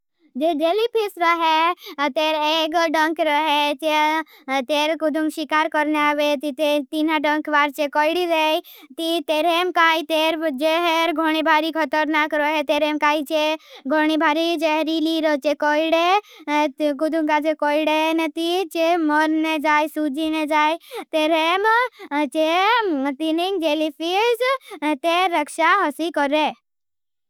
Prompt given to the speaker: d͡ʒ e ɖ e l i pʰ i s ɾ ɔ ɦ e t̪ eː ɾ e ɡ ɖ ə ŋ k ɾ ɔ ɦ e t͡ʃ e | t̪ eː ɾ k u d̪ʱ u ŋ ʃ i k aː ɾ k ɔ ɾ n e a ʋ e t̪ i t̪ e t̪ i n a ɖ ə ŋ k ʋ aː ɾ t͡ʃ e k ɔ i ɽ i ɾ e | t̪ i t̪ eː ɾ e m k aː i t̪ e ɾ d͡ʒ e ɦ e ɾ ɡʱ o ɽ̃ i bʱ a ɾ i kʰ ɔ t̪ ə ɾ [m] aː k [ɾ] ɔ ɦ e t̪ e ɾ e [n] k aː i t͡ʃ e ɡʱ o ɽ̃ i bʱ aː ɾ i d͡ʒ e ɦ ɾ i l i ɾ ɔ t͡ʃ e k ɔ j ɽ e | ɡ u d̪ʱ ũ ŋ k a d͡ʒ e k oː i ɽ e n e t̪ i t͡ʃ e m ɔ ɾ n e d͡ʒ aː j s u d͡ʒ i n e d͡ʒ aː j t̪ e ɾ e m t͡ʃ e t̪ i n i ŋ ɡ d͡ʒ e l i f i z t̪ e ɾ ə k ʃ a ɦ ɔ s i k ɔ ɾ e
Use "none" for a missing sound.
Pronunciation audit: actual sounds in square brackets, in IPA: n, ɾ, m

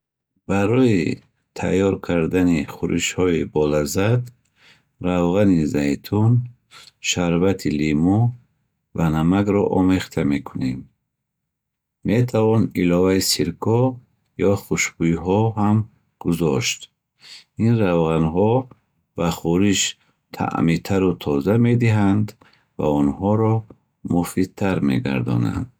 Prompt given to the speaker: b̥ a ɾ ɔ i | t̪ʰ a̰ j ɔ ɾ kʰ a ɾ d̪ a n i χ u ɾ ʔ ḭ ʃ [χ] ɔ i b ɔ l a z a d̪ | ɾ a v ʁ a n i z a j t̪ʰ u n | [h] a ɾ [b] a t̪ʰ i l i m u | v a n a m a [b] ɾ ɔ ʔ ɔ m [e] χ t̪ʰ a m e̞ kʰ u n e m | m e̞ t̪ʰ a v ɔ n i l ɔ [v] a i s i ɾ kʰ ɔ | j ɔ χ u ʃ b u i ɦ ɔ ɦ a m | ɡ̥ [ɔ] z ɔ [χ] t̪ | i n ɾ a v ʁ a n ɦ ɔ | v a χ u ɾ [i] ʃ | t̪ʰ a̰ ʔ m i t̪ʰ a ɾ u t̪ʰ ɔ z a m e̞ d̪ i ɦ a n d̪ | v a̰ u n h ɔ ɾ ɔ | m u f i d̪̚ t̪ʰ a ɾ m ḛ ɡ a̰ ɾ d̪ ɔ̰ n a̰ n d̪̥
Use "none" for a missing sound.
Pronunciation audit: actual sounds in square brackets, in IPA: h, ʃ, v, ɡ, e, v, u, ʃ, i

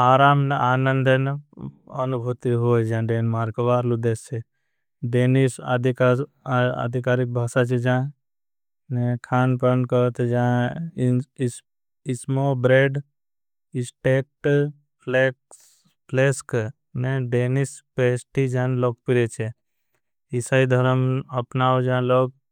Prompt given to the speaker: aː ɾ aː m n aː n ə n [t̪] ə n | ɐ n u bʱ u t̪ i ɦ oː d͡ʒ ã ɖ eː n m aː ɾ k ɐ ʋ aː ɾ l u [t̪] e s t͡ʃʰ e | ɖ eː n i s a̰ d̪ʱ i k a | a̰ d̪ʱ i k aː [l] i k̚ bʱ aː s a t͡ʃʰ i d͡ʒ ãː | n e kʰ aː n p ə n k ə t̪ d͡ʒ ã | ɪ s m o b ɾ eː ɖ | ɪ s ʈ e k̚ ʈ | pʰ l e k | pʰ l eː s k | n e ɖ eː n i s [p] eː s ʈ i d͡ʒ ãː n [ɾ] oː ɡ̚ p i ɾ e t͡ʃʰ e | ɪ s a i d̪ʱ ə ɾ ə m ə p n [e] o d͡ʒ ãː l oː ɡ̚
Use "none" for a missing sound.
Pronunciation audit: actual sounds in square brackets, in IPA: d̪, d̪, ɾ, p, l, a

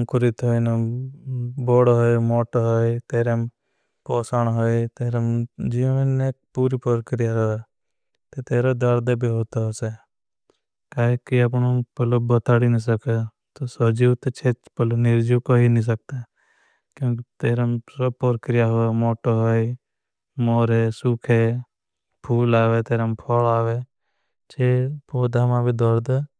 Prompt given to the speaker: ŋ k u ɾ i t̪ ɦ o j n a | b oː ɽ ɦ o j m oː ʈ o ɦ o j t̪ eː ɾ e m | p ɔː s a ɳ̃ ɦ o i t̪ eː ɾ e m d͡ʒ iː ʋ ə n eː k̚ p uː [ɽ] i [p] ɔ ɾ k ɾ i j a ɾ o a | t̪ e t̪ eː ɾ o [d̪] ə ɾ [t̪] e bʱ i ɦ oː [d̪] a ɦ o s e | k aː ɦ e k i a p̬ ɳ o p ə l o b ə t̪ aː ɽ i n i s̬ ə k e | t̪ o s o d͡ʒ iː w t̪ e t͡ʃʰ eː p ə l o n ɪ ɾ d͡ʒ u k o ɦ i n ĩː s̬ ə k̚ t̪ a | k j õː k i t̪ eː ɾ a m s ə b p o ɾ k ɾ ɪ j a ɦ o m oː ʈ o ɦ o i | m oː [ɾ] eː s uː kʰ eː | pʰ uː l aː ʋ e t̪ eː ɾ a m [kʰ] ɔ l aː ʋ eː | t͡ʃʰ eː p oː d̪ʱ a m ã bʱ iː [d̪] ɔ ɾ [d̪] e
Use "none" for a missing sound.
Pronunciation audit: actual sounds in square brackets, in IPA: ɾ, p, d̪, d̪, t̪, ɾ, pʰ, d̪, d̪

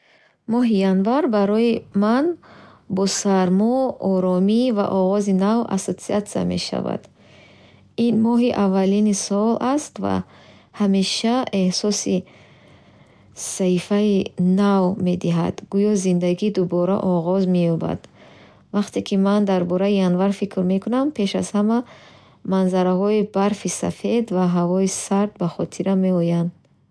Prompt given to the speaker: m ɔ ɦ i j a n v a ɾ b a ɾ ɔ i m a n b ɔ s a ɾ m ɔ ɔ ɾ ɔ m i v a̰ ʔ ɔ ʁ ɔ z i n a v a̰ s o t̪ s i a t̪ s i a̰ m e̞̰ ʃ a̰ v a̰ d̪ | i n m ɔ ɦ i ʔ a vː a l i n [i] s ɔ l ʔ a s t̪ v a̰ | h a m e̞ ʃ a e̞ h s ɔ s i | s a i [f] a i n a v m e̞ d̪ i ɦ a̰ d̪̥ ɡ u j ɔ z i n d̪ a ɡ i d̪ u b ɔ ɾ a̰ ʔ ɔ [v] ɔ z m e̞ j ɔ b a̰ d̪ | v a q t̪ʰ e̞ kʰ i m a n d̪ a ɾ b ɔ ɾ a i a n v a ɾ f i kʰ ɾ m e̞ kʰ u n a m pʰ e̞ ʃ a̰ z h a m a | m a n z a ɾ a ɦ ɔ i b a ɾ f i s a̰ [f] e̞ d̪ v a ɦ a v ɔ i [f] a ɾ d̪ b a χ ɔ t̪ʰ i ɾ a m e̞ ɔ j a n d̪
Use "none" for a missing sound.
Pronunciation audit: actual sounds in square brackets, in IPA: i, f, ʁ, f, s

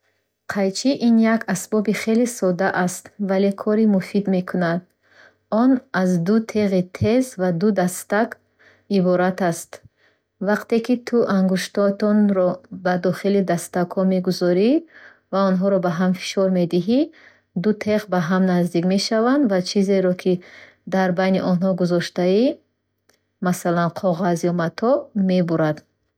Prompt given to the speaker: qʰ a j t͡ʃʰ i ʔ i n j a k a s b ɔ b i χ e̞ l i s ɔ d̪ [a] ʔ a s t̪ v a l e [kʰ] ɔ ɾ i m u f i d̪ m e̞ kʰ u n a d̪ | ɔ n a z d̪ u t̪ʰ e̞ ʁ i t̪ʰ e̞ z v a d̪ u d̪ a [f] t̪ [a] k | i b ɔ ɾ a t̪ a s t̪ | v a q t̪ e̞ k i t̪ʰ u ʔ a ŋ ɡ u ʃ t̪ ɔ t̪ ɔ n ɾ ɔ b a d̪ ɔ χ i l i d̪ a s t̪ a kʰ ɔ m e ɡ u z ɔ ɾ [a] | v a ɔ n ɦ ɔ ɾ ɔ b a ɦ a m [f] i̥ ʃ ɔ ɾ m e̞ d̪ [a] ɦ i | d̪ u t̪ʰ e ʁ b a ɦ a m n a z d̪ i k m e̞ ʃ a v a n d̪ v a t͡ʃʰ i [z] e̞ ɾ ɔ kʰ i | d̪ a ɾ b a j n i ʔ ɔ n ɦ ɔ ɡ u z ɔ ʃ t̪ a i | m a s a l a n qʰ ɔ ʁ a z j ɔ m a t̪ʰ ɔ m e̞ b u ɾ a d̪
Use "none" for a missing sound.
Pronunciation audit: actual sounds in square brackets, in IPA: a, kʰ, s, a, i, f, i, z

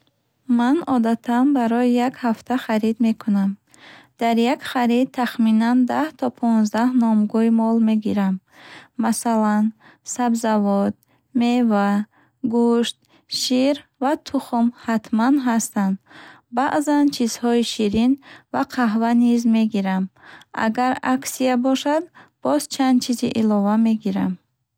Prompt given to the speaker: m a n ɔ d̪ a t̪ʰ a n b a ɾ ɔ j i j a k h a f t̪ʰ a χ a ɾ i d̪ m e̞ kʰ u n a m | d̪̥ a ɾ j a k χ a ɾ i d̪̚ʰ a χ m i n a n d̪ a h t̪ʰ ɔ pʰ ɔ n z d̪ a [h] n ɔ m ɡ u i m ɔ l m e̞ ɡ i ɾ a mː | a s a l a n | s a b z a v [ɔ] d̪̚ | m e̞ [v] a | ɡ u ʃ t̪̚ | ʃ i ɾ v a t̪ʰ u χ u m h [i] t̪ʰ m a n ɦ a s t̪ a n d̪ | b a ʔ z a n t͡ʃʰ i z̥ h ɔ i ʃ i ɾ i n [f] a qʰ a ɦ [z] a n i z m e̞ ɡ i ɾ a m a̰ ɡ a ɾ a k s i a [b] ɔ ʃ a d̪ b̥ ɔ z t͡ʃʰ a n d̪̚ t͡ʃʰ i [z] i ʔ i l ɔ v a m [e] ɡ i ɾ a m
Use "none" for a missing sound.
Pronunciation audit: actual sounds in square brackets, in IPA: h, ɔ, v, a, v, v, b, z, e

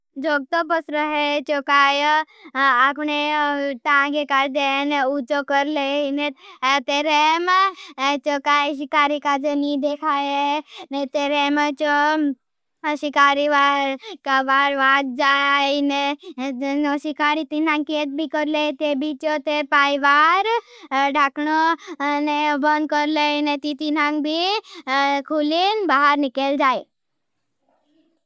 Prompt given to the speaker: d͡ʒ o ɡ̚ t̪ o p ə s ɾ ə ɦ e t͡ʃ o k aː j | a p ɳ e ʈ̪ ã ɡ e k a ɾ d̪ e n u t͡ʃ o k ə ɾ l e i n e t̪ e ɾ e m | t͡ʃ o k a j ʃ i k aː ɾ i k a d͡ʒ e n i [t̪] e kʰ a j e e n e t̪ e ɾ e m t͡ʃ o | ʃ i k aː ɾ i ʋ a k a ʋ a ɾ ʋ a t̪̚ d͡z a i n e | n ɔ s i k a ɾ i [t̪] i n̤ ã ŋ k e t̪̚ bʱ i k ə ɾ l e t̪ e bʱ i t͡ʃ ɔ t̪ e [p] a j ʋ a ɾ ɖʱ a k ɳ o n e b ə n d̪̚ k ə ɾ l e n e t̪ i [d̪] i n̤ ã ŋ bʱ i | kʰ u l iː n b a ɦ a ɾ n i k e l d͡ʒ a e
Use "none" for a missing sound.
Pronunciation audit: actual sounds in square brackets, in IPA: d̪, t̪, p, t̪

